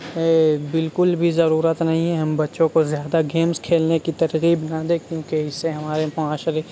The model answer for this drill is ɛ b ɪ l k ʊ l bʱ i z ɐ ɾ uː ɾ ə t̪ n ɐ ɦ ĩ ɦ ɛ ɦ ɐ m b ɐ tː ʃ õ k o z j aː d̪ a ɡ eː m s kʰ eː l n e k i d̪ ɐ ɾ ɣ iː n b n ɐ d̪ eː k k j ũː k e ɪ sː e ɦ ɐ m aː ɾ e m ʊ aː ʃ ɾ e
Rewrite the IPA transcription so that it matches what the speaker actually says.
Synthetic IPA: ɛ b ɪ l k ʊ l bʱ i z ɐ ɾ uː ɾ ə t̪ n ɐ ɦ ĩ ɦ ɛ ɦ ɐ m b ɐ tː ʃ õ k o z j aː d̪ a ɡ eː m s kʰ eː l n e k i t̪ ɐ ɾ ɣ iː b n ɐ d̪ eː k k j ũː k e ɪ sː e ɦ ɐ m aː ɾ e m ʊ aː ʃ ɾ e